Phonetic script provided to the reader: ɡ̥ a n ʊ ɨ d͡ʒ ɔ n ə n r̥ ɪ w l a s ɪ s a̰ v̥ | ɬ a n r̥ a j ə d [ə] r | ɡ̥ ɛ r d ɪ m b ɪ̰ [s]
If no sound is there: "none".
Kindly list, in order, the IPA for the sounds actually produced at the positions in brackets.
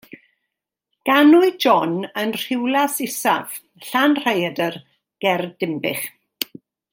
ə, χ

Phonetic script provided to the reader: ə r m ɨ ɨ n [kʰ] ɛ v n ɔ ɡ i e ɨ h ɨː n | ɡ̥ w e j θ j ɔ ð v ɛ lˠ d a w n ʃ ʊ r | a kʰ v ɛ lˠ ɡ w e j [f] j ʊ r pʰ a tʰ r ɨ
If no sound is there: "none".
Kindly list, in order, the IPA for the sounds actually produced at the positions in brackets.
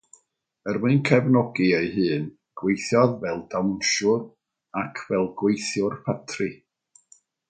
kʰ, θ

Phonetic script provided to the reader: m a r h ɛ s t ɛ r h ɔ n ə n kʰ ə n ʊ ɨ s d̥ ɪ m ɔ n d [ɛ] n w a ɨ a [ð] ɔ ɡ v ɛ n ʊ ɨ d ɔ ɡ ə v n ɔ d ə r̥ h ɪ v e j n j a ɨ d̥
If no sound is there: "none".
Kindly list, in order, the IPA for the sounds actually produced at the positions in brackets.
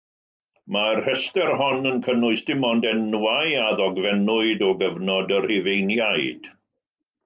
ɛ, ð

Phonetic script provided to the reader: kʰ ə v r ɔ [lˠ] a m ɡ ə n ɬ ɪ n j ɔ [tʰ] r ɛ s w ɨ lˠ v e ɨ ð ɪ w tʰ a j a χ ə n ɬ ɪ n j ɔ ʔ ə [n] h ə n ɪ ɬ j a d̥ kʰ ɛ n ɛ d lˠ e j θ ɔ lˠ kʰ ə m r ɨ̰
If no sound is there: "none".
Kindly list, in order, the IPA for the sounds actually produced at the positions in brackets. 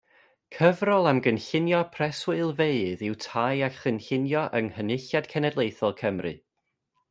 lˠ, pʰ, ŋ

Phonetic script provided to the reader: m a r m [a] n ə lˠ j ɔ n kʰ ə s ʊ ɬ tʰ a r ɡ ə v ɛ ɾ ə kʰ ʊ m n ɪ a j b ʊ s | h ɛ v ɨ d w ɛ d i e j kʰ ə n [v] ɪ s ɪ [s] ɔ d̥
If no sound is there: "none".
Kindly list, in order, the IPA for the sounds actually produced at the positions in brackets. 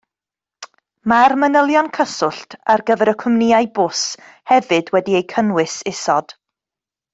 ə, w, s

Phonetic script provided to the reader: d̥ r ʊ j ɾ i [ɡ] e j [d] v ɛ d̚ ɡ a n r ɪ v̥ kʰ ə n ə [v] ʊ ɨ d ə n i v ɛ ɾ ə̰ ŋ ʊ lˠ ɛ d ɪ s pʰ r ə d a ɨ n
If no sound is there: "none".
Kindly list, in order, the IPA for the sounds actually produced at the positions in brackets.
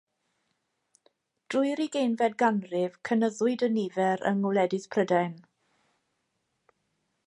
ɡ, n, ð

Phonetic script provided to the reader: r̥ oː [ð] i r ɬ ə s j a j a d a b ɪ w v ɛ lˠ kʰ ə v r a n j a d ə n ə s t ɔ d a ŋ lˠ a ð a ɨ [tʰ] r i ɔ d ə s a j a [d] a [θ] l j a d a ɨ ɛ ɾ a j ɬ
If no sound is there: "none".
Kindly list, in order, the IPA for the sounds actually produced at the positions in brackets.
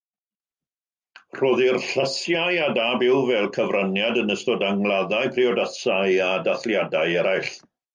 ð, pʰ, d, θ

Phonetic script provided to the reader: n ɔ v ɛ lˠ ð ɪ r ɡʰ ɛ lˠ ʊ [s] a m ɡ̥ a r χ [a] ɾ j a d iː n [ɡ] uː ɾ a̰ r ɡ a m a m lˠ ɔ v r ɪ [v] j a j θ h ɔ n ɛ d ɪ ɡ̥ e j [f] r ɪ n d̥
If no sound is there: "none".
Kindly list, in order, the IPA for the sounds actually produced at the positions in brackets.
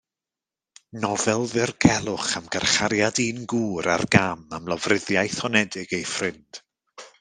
χ, a, ɡ, ð, f

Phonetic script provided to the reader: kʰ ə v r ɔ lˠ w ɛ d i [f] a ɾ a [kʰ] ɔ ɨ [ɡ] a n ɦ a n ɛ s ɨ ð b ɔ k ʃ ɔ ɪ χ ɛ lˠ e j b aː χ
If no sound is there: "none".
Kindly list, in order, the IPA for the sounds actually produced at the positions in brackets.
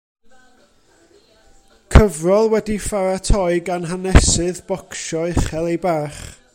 f, tʰ, ɡ

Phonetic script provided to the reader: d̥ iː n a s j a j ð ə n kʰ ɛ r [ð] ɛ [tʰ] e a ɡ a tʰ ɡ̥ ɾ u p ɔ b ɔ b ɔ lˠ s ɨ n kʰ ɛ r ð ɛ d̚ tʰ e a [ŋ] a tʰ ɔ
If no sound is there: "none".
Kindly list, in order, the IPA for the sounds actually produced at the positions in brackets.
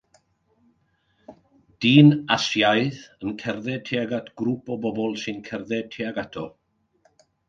ð, tʰ, ɡ

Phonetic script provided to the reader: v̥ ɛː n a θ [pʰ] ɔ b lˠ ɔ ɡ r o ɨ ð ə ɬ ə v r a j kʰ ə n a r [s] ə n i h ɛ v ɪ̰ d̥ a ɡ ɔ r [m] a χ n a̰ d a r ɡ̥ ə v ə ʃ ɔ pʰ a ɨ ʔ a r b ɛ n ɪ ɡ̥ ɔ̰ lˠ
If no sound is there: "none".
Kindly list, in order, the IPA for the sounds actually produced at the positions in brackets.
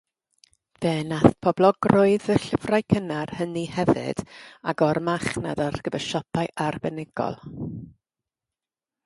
pʰ, h, m

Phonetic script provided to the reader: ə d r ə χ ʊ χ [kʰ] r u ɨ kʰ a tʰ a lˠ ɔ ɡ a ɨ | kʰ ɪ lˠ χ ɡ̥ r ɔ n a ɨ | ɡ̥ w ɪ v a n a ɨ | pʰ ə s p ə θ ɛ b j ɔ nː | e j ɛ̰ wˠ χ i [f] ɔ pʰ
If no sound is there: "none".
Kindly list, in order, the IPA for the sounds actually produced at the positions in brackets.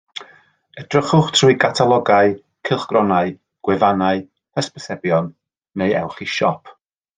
tʰ, ʃ

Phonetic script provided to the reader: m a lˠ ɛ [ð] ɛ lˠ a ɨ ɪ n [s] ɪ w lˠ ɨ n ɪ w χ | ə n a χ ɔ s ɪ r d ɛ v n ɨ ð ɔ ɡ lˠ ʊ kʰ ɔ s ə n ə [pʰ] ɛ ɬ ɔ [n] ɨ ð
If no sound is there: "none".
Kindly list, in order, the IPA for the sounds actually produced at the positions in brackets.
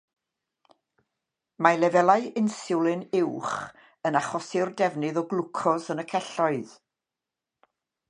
v, s, kʰ, none

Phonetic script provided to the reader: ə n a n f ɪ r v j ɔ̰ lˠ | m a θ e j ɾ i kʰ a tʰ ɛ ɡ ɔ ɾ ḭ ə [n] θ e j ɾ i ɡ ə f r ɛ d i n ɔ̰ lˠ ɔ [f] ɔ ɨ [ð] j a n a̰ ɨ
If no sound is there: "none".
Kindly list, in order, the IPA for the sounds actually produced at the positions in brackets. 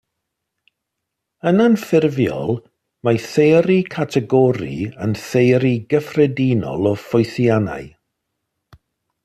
n, f, θ

